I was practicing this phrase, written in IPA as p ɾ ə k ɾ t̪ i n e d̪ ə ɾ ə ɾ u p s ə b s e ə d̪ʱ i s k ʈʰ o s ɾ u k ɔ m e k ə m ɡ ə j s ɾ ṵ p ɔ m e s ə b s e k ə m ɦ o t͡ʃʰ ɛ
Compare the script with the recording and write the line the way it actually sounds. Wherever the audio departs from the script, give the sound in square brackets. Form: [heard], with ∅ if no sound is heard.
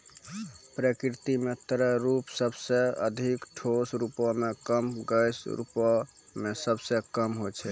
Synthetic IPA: p ɾ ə k ɾ t̪ i [m] e [t̪] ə ɾ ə ɾ u p s ə b s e ə d̪ʱ i [∅] k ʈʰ o s ɾ u [p] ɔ m e k ə m ɡ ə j s ɾ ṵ p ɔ m e s ə b s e k ə m ɦ o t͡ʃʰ ɛ